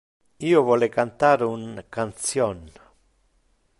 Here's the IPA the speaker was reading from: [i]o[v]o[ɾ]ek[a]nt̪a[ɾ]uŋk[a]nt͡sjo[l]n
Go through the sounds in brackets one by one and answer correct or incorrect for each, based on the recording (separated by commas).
correct, incorrect, incorrect, correct, correct, correct, incorrect